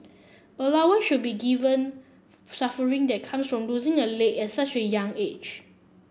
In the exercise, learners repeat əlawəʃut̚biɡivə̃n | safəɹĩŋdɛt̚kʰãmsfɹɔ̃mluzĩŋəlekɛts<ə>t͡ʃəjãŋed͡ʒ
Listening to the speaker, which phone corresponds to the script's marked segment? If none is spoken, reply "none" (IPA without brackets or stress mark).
a